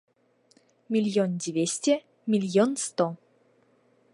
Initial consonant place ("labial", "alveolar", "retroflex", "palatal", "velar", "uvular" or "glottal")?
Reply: labial